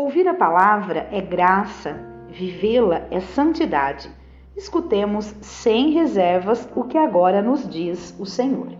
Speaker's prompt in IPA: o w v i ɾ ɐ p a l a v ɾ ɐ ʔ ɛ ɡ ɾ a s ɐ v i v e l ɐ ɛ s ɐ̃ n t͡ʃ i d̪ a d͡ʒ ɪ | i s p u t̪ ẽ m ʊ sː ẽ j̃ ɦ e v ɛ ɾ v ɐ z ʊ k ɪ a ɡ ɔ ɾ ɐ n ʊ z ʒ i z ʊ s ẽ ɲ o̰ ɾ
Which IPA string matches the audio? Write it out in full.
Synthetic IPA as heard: o w v i ɾ ɐ p a l a v ɾ ɐ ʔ ɛ ɡ ɾ a s ɐ v i v e l ɐ ɛ s ɐ̃ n t͡ʃ i d̪ a d͡ʒ ɪ | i s k u t̪ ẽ m ʊ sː ẽ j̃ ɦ e z ɛ ɾ v ɐ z ʊ k ɪ a ɡ ɔ ɾ ɐ n ʊ z d͡ʒ i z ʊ s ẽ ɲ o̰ ɾ